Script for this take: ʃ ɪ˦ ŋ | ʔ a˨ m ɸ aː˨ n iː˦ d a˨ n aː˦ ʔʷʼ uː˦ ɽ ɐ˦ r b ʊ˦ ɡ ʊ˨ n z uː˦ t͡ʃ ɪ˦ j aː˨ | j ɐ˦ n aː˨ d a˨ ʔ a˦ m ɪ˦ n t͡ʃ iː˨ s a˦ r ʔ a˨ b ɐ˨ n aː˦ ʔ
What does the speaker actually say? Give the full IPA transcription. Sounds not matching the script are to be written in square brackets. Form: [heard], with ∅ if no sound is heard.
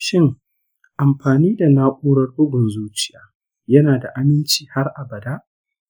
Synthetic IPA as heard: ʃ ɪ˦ ŋ | ʔ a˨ m ɸ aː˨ n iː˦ d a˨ n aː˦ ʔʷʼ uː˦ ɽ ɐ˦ r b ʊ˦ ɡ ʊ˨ n z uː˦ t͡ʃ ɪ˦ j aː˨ | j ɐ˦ n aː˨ d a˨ ʔ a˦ m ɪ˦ n t͡ʃ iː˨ [h] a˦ r ʔ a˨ b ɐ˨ [d] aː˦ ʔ